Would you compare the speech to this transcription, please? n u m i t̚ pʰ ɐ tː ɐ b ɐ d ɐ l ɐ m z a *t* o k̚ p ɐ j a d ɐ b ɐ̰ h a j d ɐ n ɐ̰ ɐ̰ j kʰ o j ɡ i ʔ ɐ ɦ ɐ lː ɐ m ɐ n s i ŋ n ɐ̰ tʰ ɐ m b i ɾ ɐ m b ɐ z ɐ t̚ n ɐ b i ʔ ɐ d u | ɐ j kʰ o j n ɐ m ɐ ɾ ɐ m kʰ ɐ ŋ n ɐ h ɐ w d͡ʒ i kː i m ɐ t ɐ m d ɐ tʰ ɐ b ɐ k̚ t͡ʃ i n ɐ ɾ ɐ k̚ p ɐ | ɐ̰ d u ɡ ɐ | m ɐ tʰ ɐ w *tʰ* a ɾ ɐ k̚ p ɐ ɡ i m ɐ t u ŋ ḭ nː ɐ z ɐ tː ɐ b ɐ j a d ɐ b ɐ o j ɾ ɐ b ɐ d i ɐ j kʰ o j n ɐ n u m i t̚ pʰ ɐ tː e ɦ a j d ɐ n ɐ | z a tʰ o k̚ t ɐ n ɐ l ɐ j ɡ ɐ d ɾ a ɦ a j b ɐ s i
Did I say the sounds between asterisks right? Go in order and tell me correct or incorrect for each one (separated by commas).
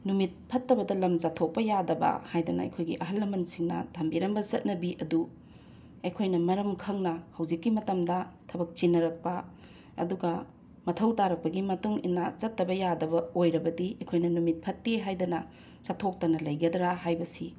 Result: incorrect, incorrect